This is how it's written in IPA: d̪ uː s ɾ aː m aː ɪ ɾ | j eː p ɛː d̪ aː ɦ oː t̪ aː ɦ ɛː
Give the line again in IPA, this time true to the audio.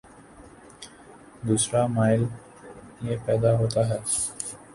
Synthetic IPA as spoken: d̪ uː s ɾ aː m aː ɪ l | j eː p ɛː d̪ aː ɦ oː t̪ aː ɦ ɛː